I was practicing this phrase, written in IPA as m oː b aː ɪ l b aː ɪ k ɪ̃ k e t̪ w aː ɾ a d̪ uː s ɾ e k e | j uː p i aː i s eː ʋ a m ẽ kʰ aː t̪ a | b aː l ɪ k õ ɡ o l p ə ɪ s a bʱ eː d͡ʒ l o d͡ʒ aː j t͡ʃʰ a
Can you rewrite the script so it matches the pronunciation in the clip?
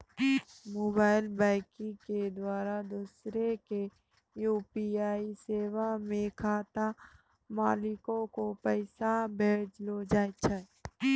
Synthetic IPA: m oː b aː ɪ l b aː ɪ k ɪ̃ k e d̪ w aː ɾ a d̪ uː s ɾ e k e | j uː p i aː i s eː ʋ a m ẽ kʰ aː t̪ a | m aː l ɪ k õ k o p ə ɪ s a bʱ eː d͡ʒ l o d͡ʒ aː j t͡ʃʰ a